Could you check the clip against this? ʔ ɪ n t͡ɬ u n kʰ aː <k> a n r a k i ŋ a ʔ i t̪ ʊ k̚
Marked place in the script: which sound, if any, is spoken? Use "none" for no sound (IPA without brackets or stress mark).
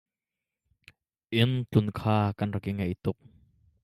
k